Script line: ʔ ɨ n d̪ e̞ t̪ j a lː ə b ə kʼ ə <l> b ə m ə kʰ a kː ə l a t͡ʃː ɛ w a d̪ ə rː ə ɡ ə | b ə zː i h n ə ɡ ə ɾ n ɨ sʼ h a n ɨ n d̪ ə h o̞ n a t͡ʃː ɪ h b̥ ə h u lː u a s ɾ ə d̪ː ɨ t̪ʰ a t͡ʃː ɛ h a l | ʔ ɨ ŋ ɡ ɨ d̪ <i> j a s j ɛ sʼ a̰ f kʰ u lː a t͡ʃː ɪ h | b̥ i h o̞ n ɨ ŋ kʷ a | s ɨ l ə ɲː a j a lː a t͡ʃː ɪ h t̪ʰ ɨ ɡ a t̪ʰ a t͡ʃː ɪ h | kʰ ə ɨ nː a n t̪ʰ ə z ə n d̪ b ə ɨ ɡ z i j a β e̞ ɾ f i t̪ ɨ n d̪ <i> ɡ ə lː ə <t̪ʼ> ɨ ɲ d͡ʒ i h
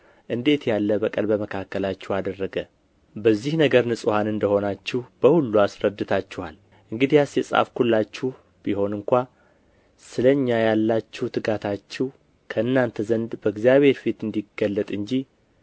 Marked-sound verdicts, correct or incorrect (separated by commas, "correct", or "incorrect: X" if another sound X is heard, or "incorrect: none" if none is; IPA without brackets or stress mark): correct, correct, correct, correct